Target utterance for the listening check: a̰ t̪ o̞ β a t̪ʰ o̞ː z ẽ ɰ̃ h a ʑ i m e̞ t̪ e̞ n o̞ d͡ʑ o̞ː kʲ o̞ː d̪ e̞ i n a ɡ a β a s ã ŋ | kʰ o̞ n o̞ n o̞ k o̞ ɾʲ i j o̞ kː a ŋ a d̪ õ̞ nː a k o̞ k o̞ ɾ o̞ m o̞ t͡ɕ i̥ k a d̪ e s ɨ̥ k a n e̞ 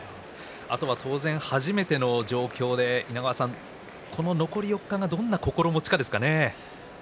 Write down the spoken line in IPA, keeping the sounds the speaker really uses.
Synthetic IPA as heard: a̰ t̪ o̞ β a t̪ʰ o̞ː z ẽ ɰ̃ h a ʑ i m e̞ t̪ e̞ n o̞ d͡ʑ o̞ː kʲ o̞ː d̪ e̞ i n a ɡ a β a s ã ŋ | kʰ o̞ n o̞ n o̞ k o̞ ɾʲ i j o̞ kː a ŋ a d̪ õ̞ nː a k o̞ k o̞ ɾ o̞ m o̞ t͡ɕ i̥ k a d̪ e s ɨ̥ k a n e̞